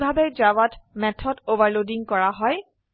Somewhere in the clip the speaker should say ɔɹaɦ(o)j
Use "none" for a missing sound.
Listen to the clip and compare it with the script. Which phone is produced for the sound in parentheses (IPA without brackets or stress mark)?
ɔ